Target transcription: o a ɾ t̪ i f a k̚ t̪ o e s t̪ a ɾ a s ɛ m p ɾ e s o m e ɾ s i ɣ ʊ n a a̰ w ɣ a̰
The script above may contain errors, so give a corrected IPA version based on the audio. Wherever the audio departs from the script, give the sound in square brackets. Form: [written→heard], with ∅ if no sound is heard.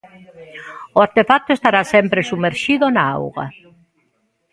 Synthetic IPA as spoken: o a ɾ t̪ [i→e] f a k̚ t̪ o e s t̪ a ɾ a s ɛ m p ɾ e s [o→u] m e ɾ [s→ʃ] i [ɣ→ð] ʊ n a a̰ w ɣ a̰